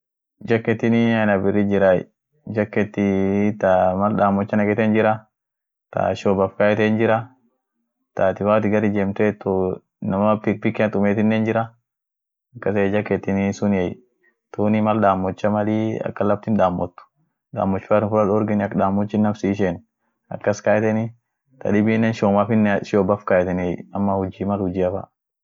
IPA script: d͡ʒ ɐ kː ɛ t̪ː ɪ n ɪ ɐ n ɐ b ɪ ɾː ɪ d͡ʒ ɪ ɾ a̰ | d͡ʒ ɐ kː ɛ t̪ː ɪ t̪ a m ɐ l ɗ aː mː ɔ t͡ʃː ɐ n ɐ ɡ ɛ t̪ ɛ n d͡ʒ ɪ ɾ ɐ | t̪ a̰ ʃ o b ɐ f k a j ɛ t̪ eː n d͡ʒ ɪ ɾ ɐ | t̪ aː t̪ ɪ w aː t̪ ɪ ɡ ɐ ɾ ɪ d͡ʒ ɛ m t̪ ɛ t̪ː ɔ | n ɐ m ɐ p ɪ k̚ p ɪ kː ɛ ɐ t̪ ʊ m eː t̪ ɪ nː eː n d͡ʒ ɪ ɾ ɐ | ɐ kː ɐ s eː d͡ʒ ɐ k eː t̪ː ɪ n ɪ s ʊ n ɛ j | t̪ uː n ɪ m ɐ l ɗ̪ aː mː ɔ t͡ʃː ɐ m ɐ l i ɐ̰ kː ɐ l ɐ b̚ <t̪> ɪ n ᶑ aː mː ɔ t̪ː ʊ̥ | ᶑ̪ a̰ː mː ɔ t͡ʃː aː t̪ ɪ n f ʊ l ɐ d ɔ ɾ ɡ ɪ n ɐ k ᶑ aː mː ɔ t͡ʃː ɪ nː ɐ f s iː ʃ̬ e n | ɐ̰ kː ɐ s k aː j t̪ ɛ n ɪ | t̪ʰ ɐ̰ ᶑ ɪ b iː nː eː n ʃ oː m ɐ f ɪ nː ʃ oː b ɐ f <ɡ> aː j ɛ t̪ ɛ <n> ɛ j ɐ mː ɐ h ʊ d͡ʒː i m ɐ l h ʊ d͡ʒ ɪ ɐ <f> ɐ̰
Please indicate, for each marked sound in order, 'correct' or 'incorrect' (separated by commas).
correct, incorrect, correct, correct